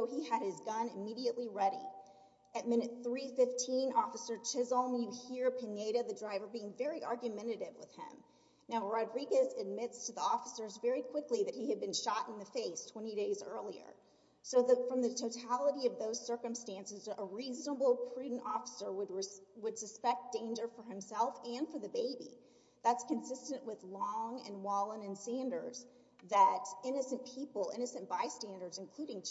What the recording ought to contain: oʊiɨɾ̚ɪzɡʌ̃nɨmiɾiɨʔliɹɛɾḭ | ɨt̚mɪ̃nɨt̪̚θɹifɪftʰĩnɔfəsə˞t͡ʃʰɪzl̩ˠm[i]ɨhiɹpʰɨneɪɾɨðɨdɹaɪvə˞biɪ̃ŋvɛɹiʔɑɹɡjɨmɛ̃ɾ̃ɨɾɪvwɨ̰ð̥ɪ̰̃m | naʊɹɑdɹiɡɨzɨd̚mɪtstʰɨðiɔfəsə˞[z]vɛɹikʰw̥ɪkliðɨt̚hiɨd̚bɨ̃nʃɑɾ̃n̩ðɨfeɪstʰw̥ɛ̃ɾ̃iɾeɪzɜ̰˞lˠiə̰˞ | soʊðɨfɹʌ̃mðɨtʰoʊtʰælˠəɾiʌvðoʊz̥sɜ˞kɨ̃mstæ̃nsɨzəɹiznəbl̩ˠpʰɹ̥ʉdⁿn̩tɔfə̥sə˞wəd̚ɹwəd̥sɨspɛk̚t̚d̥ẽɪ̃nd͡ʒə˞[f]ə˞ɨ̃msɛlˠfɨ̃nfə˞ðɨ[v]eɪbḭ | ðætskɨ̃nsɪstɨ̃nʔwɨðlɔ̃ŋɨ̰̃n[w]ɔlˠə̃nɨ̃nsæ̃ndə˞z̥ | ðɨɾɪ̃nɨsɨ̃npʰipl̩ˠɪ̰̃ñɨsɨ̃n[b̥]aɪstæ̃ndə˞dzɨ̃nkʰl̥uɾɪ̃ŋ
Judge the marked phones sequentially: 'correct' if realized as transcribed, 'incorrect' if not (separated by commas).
incorrect, correct, correct, incorrect, correct, correct